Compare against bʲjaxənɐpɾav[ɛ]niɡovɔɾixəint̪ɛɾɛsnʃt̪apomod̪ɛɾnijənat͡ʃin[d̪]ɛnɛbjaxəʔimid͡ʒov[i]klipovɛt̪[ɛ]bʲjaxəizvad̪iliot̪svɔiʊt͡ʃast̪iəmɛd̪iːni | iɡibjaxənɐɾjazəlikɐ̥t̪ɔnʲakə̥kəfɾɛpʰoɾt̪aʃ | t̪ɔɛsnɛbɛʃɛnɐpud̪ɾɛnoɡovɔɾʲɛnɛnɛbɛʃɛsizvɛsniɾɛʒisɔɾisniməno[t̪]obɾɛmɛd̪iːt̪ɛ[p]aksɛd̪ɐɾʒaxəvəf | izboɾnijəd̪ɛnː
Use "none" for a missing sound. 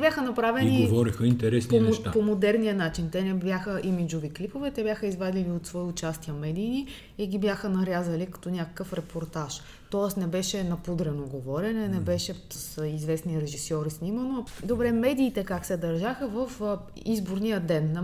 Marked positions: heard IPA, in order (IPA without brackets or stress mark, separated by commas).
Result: ɛ, t̪, i, ɛ, d̪, k